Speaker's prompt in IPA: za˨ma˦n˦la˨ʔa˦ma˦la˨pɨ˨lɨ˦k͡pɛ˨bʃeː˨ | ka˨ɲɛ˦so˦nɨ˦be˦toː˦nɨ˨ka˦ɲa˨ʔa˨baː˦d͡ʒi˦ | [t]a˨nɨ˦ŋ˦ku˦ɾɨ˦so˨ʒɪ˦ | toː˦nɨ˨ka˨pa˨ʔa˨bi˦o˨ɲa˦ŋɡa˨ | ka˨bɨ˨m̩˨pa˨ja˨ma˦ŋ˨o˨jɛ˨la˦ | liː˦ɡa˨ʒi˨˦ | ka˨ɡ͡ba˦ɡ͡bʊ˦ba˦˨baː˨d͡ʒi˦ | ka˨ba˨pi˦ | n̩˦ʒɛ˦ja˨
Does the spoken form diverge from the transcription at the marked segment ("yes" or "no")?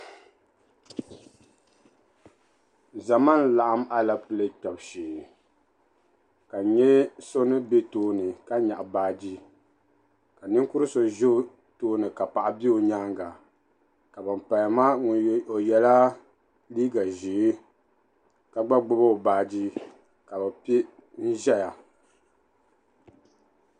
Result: yes